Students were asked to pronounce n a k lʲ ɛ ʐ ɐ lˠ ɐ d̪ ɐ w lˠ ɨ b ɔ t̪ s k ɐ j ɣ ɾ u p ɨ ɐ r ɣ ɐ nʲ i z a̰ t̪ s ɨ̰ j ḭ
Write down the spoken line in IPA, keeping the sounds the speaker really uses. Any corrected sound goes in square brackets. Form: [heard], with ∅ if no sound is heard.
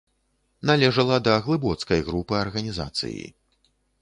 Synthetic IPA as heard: n a [∅] lʲ ɛ ʐ ɐ lˠ ɐ d̪ ɐ [ɣ] lˠ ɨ b ɔ t̪ s k ɐ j ɣ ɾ u p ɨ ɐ r ɣ ɐ nʲ i z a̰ t̪ s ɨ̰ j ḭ

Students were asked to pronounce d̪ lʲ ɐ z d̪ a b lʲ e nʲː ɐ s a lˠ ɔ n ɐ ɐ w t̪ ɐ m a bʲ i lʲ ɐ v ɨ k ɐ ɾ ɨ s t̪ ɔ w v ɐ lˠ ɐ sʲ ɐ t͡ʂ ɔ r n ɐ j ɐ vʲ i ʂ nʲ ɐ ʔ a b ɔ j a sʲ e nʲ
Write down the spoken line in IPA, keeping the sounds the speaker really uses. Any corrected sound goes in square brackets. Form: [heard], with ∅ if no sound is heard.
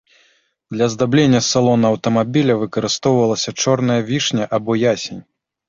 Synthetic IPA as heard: d̪ lʲ ɐ z d̪ a b lʲ e nʲː ɐ s a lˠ ɔ n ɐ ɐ w t̪ ɐ m a bʲ i lʲ ɐ v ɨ k ɐ ɾ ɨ s t̪ ɔ w v ɐ lˠ ɐ sʲ ɐ t͡ʂ ɔ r n ɐ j ɐ vʲ i ʂ nʲ ɐ ʔ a b ɔ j a sʲ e nʲ

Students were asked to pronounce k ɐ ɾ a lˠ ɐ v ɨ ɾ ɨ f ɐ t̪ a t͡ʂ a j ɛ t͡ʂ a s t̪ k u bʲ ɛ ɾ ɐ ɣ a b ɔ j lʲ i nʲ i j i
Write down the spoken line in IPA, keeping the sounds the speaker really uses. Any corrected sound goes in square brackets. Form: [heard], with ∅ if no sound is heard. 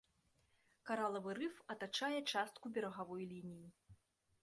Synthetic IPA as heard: k [a] ɾ a lˠ ɐ v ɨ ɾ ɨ f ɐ t̪ a t͡ʂ a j ɛ t͡ʂ a s t̪ k u bʲ ɛ ɾ ɐ ɣ a [v] ɔ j lʲ i nʲ i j i

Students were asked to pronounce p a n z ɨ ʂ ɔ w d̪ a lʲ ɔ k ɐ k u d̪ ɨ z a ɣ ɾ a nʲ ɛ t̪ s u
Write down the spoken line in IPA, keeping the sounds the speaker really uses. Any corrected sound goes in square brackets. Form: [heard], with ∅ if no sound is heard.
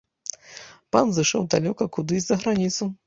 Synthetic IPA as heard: p a n z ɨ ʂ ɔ w d̪ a lʲ ɔ k ɐ k u d̪ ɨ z [ɐ] ɣ ɾ a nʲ [i] t̪ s u

